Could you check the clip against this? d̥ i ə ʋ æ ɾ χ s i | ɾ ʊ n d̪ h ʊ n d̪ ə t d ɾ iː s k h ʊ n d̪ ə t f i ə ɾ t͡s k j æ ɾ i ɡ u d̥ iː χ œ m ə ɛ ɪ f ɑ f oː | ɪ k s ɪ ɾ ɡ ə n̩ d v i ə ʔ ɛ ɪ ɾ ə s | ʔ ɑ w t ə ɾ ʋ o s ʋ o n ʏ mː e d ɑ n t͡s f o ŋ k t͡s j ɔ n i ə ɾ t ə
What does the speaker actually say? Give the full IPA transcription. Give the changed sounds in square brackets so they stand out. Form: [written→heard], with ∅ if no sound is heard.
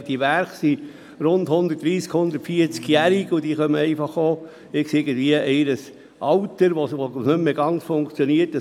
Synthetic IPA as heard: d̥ i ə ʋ æ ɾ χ s i | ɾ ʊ n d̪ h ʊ n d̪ ə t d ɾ iː s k h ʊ n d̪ ə t f i ə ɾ t͡s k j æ ɾ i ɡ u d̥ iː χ œ m ə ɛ ɪ f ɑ [f→χ] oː | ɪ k s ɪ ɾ ɡ ə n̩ d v i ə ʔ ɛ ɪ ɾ ə s | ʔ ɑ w t ə ɾ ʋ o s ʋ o n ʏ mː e [d→ɡ] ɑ n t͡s f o ŋ k t͡s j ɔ n i ə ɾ t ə